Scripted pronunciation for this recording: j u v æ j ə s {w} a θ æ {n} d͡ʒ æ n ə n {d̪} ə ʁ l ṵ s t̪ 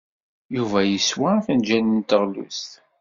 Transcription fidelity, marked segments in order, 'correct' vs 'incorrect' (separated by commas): correct, correct, incorrect